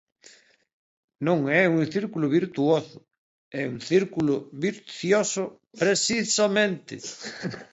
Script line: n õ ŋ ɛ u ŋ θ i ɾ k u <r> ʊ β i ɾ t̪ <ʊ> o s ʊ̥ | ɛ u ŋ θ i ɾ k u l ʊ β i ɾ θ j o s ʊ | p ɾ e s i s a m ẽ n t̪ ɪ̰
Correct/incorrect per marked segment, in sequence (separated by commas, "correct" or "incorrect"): incorrect, incorrect